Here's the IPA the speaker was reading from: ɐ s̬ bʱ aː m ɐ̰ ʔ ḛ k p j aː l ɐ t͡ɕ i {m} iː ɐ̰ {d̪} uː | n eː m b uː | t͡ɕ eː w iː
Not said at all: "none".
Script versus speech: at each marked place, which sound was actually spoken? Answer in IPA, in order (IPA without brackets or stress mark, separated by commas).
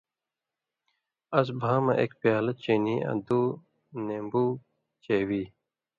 n, d̪